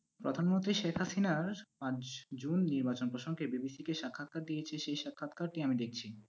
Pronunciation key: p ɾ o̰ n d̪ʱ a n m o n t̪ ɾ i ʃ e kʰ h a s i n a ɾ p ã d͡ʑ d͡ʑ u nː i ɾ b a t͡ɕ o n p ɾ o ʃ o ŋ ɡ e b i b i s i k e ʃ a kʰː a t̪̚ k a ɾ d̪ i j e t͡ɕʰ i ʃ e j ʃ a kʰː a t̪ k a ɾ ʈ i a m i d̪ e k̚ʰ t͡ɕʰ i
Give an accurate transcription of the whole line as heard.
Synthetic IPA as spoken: p ɾ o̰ d̪ʱ a n m o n t̪ ɾ i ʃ e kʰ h a s i n a ɾ p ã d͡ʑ d͡ʑ u nː i ɾ b a t͡ɕ o n p ɾ o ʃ o ŋ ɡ e b i b i s i k e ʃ a kʰː a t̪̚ k a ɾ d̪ i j e t͡ɕʰ e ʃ e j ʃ a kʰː a t̪ k a ɾ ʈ i a m i d̪ e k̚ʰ t͡ɕʰ i

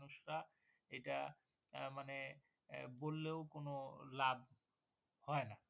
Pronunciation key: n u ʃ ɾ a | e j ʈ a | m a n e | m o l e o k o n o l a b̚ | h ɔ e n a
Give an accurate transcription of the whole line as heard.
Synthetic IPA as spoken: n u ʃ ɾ a | e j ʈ a | m a n e | b o lː e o k o n o l a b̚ | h ɔ e n a

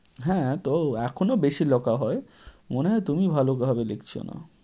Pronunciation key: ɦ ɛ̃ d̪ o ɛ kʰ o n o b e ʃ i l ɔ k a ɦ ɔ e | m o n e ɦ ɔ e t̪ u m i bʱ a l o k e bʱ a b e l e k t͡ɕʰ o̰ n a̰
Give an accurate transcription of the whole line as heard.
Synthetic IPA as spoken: ɦ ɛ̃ t̪ o ɛ kʰ o n o b e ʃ i l ɔ k a ɦ ɔ e | m o n e ɦ ɔ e t̪ u m i bʱ a l o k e bʱ a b e l e k t͡ɕʰ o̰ n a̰

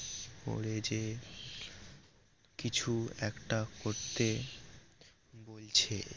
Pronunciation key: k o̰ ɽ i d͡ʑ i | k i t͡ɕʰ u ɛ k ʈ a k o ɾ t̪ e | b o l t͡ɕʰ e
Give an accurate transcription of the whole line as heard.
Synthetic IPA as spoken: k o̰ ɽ e d͡ʑ e | k i t͡ɕʰ u ɛ k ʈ a k o ɾ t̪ e | b o l t͡ɕʰ e

